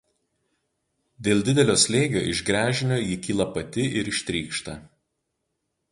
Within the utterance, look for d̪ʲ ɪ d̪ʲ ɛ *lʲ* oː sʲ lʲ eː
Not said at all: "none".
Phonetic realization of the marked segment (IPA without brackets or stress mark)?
lʲ